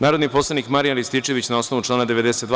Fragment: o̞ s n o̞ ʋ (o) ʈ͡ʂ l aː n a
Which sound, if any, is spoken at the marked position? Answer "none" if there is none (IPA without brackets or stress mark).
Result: u